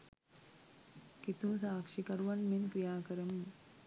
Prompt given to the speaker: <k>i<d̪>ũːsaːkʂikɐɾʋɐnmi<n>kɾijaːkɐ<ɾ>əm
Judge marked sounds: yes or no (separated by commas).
yes, no, yes, yes